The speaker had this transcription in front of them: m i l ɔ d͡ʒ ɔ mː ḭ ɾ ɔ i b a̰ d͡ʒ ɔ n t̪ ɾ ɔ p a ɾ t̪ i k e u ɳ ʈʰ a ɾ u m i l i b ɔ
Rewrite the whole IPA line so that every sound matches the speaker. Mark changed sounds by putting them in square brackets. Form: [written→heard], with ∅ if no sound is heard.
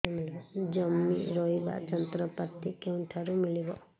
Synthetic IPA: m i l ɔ d͡ʒ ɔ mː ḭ ɾ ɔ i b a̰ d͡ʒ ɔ n t̪ ɾ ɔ p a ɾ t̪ i k e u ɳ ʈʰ a ɾ u m i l i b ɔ